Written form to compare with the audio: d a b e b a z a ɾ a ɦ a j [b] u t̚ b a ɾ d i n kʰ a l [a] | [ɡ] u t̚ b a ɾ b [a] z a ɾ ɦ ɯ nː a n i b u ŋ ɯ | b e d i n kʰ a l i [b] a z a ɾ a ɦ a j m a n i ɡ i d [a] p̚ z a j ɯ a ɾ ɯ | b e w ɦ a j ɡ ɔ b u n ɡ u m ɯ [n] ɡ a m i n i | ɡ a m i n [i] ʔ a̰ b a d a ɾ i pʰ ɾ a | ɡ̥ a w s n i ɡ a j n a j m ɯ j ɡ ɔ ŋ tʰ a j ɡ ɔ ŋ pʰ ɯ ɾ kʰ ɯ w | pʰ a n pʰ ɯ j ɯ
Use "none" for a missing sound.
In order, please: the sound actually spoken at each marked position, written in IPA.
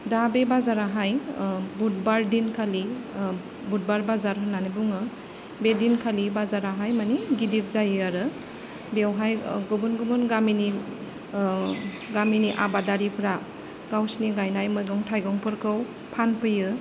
b, i, b, a, b, i, n, i

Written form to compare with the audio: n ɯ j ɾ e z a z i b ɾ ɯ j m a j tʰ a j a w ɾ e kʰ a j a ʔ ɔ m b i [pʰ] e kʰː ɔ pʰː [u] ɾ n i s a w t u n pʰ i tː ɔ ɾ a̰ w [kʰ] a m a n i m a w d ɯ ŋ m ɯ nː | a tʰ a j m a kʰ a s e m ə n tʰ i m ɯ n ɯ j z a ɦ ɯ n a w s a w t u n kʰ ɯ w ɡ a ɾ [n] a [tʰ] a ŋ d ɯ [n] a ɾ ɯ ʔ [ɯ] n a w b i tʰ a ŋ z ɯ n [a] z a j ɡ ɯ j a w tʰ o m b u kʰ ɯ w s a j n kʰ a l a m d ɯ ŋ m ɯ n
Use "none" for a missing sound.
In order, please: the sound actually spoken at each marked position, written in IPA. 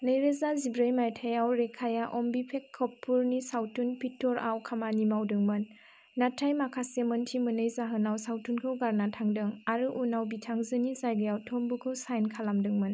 pʰ, u, kʰ, n, tʰ, ŋ, u, i

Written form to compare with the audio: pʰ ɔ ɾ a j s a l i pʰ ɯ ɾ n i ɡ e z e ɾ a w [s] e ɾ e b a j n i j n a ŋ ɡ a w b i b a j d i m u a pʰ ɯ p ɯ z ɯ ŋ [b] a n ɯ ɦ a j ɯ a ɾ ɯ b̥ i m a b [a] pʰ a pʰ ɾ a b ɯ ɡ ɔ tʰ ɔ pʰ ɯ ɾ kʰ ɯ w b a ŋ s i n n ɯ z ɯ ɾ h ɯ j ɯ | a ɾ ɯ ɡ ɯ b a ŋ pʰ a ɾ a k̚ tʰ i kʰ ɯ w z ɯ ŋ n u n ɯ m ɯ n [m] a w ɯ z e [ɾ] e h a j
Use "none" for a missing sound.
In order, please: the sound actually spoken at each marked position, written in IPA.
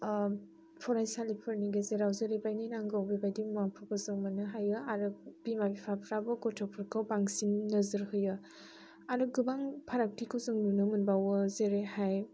z, m, i, b, ɾ

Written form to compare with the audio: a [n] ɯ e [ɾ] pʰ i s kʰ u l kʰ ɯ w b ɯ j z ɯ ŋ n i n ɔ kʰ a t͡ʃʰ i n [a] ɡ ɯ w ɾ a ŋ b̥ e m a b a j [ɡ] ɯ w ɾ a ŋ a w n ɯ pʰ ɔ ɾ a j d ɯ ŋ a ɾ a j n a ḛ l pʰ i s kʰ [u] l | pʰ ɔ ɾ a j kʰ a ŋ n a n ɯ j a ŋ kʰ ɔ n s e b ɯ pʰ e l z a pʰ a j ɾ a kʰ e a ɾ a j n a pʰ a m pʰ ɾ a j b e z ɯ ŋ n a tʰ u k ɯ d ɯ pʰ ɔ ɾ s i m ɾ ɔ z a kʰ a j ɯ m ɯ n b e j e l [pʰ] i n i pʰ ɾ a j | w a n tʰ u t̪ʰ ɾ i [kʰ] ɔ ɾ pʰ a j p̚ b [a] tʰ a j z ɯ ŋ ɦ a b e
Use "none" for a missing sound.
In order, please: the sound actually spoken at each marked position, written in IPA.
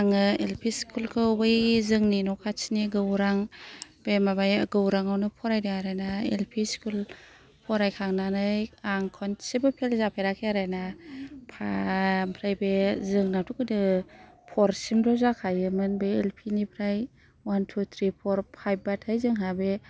ŋ, l, i, ɡ, u, pʰ, pʰ, a

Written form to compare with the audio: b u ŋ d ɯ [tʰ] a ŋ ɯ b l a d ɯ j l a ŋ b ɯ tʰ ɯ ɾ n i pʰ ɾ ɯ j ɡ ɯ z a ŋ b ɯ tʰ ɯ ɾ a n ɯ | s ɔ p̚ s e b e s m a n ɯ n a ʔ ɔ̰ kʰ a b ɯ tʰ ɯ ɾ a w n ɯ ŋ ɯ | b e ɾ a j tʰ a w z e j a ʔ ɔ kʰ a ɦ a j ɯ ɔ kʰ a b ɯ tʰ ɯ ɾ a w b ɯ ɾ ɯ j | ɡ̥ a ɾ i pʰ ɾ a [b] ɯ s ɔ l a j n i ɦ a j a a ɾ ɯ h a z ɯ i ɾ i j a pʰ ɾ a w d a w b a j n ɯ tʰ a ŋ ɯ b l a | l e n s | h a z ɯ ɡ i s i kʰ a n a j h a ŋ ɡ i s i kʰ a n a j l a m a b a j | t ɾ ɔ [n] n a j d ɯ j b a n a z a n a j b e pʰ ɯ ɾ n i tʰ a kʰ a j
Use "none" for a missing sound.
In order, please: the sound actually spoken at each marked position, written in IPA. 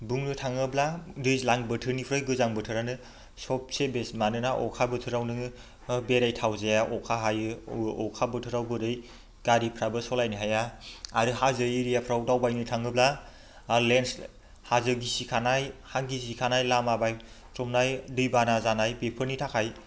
tʰ, b, m

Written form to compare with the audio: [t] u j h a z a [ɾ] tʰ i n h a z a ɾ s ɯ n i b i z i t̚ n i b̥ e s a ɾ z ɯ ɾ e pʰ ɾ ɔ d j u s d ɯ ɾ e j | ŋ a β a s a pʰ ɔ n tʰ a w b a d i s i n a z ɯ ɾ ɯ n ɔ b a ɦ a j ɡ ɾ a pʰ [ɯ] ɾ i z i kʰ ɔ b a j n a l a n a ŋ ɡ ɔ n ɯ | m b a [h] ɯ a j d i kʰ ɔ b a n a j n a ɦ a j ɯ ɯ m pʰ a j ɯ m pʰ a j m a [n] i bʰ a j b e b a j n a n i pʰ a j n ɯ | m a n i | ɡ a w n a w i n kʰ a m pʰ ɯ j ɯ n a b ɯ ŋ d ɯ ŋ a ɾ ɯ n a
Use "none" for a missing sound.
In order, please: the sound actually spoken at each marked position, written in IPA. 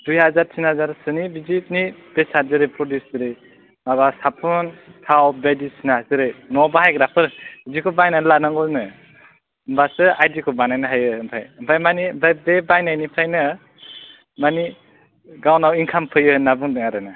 d, ɾ, ɯ, s, n

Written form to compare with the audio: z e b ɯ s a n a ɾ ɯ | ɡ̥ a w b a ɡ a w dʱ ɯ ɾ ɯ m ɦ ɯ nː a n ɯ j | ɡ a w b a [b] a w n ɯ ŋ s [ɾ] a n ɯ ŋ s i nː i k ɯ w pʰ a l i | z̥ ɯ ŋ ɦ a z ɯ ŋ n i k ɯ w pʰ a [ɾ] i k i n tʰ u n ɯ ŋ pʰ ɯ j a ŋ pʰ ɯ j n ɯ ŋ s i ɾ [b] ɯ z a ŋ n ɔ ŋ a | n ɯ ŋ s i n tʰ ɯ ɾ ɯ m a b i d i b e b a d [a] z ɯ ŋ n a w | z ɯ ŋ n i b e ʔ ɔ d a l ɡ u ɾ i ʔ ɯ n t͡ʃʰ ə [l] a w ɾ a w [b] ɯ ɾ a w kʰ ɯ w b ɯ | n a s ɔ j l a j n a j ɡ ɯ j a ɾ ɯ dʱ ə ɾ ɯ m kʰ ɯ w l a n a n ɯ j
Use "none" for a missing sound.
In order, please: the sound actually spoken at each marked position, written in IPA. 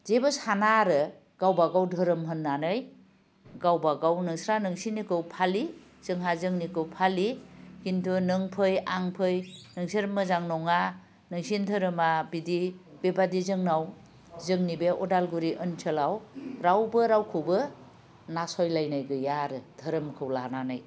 ɡ, ɾ, l, m, i, l, b

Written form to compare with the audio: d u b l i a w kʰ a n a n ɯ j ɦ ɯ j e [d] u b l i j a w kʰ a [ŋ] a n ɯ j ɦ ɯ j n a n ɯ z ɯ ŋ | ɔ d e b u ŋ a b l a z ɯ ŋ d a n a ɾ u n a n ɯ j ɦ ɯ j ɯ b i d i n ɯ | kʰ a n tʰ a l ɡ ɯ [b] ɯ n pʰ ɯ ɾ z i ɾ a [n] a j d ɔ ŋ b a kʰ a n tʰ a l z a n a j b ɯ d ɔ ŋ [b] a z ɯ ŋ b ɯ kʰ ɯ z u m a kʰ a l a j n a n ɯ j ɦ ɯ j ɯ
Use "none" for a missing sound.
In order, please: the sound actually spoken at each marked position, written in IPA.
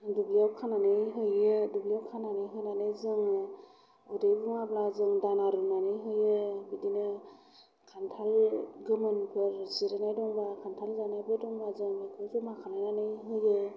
d, n, m, n, b

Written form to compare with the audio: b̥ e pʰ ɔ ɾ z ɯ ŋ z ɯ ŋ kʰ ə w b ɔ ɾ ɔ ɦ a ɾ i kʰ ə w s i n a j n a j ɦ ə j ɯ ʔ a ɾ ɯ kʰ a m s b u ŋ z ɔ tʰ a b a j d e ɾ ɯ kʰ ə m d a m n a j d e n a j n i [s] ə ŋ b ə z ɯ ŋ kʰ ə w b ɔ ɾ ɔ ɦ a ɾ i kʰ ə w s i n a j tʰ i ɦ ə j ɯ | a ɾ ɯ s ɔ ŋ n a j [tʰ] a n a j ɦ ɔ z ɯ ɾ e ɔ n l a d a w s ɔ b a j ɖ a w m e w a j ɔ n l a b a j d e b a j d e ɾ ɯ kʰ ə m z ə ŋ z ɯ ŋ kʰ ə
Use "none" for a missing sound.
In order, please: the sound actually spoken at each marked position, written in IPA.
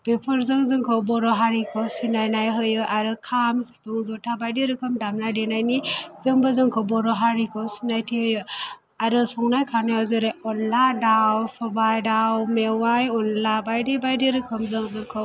z, kʰ

